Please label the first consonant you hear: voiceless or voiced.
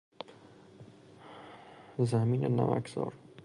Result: voiced